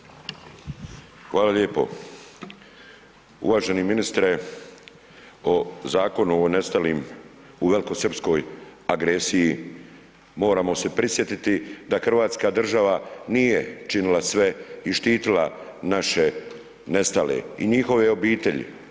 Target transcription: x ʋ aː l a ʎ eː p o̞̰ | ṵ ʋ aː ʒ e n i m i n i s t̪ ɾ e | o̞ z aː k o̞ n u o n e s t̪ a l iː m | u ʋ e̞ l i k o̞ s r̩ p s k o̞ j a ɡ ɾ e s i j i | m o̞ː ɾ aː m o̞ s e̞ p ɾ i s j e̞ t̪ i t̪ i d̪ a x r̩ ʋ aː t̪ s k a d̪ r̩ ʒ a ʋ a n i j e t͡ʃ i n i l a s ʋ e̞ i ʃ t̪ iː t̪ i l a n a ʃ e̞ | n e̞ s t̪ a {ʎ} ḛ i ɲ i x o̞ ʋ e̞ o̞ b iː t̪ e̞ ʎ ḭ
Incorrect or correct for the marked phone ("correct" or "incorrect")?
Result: incorrect